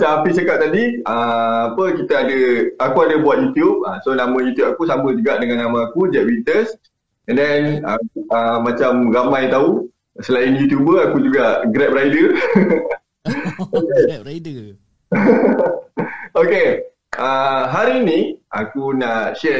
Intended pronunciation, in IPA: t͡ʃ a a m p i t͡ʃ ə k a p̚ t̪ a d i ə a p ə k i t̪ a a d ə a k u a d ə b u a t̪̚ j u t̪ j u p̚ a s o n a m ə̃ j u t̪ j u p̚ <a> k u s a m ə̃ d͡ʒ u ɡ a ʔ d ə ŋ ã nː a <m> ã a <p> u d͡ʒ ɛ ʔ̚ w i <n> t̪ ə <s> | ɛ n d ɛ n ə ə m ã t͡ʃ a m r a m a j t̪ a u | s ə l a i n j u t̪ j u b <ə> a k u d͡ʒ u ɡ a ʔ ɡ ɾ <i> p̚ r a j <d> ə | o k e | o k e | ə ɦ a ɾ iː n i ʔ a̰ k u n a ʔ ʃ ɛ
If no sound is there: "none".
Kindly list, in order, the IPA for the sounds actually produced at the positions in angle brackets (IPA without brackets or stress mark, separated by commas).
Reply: a, m, k, n, s, ə, ɛ, d